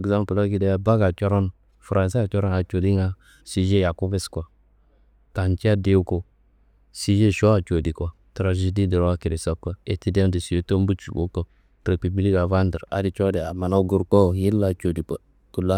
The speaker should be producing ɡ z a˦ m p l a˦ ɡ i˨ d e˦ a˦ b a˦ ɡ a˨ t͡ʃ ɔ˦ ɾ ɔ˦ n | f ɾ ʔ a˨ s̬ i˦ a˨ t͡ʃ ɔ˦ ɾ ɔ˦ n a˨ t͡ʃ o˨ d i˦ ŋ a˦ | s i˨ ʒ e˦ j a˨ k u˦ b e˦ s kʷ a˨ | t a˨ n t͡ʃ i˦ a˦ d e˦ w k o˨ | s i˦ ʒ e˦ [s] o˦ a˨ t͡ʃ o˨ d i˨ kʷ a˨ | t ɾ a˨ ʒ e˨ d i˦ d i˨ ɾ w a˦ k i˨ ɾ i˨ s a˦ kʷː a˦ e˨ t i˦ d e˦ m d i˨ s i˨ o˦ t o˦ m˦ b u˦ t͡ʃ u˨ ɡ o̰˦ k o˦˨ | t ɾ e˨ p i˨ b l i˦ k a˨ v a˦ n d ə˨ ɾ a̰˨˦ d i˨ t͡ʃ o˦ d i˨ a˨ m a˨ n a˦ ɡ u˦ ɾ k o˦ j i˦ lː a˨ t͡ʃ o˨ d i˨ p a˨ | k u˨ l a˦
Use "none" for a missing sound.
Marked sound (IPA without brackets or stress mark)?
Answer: ʃ